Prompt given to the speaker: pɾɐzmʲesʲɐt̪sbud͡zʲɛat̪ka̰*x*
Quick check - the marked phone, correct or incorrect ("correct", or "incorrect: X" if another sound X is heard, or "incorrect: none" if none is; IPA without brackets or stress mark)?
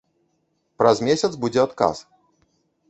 incorrect: s